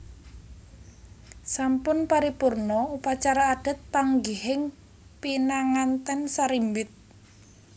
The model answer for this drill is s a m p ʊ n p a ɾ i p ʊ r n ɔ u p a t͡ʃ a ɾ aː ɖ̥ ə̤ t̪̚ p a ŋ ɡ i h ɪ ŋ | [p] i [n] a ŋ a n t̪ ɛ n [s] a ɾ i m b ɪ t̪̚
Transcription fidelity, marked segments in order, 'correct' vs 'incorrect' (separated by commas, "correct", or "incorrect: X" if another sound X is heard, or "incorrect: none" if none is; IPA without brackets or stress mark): correct, correct, correct